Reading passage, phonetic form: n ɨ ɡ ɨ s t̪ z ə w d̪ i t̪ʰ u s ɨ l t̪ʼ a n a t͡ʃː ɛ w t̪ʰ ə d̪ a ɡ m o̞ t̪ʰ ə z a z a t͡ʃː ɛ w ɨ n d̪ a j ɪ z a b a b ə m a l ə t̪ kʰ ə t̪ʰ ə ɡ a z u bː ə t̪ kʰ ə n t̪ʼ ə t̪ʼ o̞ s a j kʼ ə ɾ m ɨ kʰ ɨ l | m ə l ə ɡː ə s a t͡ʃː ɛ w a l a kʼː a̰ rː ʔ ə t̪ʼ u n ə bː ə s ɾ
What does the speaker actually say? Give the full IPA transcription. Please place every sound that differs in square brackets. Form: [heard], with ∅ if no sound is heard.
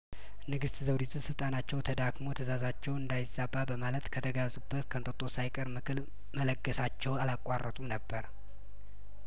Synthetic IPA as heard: n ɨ ɡ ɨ s t̪ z ə w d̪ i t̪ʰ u s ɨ l t̪ʼ a n a t͡ʃː ɛ w t̪ʰ ə d̪ a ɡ m o̞ t̪ʰ ə z a z a t͡ʃː ɛ w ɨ n d̪ a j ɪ z a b a b ə m a l ə t̪ kʰ ə t̪ʰ ə ɡ a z u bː ə t̪ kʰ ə n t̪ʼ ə t̪ʼ o̞ s a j kʼ ə ɾ m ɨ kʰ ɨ l | m ə l ə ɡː ə s a t͡ʃː ɛ w a l a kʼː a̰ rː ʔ ə t̪ʼ u n ə bː ə [∅] ɾ